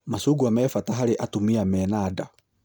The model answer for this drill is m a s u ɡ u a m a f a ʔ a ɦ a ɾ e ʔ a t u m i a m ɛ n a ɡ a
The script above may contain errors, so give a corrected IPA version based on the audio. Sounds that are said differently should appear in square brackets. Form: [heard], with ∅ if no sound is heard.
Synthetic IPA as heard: m a s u ɡ u a m [ɛ] f a [t] a ɦ a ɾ e ʔ a t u m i a m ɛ n a [d] a